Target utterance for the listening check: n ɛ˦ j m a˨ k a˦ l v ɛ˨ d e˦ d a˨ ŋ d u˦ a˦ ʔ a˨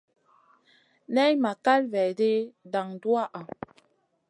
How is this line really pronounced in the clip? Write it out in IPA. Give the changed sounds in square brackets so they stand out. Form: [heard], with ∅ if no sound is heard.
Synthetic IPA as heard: n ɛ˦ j m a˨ k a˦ l v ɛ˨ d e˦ d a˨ ŋ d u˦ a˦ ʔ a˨